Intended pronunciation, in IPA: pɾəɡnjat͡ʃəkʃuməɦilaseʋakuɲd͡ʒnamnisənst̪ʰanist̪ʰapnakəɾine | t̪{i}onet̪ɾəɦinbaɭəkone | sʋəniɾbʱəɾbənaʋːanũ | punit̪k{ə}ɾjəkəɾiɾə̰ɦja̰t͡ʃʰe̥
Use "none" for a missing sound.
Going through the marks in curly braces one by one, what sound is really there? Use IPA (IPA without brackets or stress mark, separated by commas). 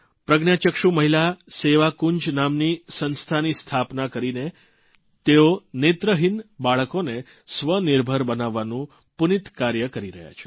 e, a